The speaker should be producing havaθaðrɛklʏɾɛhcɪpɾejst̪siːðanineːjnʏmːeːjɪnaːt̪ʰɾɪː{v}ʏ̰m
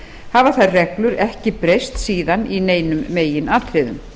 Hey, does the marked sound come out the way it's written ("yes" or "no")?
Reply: no